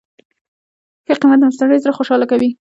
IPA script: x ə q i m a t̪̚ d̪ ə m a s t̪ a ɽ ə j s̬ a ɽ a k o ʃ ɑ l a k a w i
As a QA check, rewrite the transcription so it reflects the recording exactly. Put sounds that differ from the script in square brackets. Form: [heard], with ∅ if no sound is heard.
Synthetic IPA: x ə q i m a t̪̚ d̪ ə m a s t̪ a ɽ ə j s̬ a [ɾ] a [x] o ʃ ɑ l a k a w i